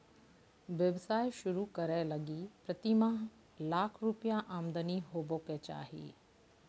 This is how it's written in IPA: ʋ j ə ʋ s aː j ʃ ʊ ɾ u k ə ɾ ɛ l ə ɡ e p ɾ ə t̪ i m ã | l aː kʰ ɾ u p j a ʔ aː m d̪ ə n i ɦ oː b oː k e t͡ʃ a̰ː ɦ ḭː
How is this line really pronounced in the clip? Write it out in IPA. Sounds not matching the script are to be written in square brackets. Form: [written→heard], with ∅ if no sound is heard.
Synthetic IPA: ʋ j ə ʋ s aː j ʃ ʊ ɾ u k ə ɾ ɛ l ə ɡ [e→i] p ɾ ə t̪ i m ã | l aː kʰ ɾ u p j a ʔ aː m d̪ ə n i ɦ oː b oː k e t͡ʃ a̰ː ɦ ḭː